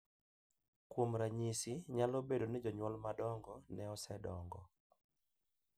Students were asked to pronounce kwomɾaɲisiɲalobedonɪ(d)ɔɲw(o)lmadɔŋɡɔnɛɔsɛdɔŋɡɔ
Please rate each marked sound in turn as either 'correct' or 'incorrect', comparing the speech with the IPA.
incorrect: d͡ʒ, incorrect: ɔ

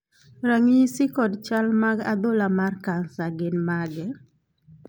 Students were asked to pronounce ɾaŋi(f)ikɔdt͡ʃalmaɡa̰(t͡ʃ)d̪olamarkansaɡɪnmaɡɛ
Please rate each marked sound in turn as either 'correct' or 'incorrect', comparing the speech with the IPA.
incorrect: s, incorrect: none

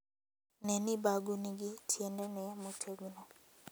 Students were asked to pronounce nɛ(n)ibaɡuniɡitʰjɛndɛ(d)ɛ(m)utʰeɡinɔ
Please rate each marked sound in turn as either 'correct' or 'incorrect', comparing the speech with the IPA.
correct, incorrect: n, correct

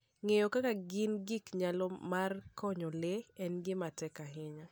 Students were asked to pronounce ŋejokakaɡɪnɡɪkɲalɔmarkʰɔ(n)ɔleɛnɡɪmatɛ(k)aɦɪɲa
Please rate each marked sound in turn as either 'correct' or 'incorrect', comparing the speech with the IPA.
incorrect: ɲ, correct

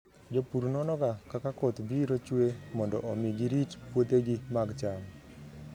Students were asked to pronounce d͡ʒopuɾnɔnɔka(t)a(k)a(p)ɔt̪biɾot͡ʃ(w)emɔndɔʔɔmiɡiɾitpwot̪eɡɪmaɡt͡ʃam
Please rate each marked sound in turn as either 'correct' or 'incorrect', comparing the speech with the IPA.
incorrect: k, correct, incorrect: k, correct

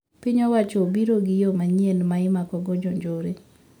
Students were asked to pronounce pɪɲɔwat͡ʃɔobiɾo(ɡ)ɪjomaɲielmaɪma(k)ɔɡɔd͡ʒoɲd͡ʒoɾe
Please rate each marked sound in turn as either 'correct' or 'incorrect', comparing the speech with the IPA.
correct, correct

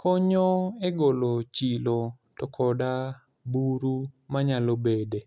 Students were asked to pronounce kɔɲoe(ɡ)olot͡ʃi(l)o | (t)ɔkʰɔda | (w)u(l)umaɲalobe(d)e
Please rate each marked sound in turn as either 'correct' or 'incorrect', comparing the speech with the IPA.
correct, correct, correct, incorrect: b, incorrect: ɾ, correct

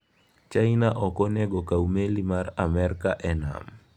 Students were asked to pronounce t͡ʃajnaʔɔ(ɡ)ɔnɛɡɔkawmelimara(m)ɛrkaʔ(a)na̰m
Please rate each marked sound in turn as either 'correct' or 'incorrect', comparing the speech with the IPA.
incorrect: k, correct, incorrect: ɛ

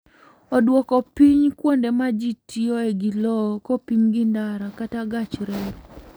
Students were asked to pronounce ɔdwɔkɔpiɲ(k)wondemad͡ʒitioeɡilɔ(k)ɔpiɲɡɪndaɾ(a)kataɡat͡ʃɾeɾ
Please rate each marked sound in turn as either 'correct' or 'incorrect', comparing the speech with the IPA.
correct, correct, correct

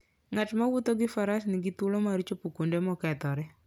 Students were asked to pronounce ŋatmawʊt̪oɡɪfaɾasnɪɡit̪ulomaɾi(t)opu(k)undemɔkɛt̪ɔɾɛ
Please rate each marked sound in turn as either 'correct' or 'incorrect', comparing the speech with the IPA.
incorrect: t͡ʃ, correct

